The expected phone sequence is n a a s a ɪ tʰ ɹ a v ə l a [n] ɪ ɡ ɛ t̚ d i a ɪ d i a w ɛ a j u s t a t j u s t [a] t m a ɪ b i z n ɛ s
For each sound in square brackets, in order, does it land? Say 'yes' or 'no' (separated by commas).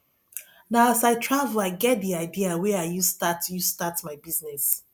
no, yes